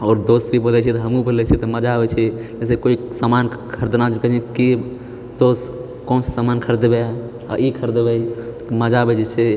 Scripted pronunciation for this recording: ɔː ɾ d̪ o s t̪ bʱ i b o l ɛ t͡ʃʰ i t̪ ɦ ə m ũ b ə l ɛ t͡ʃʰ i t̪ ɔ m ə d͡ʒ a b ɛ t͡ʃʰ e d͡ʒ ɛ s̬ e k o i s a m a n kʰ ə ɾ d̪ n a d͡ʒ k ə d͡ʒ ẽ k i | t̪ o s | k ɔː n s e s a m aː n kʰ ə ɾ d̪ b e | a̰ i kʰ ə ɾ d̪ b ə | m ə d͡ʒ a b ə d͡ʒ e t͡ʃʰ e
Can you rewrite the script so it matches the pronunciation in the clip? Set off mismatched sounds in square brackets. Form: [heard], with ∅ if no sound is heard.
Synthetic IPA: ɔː ɾ d̪ o s t̪ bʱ i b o l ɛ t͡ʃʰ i t̪ ɦ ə m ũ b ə l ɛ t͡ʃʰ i t̪ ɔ m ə d͡ʒ a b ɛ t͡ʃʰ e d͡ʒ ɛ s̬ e k o i s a m a n kʰ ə ɾ d̪ n a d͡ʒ k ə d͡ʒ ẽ k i | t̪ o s | k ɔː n s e s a m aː n kʰ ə ɾ d̪ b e | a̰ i kʰ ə ɾ d̪ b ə | m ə d͡ʒ a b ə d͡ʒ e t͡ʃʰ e